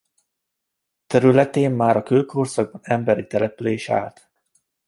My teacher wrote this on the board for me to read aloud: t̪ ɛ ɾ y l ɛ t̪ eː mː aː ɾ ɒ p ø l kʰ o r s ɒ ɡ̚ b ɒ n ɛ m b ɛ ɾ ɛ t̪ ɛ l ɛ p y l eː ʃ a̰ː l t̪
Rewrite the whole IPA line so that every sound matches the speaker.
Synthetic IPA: t̪ ɛ ɾ y l ɛ t̪ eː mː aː ɾ ɒ k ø l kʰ o r s ɒ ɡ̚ b ɒ n ɛ m b ɛ ɾ i t̪ ɛ l ɛ p y l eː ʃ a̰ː l t̪